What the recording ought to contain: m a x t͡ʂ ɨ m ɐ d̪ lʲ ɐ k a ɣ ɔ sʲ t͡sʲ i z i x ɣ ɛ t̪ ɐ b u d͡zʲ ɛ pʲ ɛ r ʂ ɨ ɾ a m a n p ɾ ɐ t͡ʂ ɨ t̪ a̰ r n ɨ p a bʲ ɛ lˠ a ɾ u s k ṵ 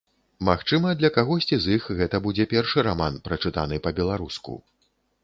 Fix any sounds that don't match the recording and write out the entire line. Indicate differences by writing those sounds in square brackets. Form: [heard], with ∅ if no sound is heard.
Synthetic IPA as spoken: m a x t͡ʂ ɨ m ɐ d̪ lʲ ɐ k a ɣ ɔ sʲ t͡sʲ i z i x ɣ ɛ t̪ ɐ b u d͡zʲ ɛ pʲ ɛ r ʂ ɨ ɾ a m a n p ɾ ɐ t͡ʂ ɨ t̪ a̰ [∅] n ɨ p [ɐ] bʲ ɛ lˠ a ɾ u s k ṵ